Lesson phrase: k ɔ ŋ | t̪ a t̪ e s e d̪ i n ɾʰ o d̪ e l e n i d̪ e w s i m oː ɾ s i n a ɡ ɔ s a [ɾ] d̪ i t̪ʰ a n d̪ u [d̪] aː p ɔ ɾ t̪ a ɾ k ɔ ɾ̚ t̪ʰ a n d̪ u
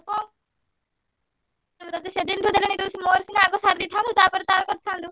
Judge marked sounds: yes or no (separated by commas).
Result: yes, no